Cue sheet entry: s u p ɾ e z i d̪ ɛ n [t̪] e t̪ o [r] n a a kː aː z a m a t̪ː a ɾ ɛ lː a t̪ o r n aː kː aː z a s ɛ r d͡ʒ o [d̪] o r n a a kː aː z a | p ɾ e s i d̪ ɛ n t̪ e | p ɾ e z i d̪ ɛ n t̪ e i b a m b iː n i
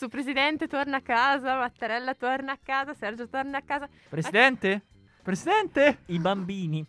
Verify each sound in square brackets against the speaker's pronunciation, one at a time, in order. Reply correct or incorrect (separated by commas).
correct, correct, incorrect